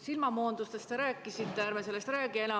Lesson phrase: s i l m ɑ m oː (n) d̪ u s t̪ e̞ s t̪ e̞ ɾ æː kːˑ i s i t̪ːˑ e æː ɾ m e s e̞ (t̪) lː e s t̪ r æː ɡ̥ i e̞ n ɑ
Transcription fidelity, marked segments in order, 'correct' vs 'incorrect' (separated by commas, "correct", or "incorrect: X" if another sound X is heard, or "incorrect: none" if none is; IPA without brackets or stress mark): correct, incorrect: none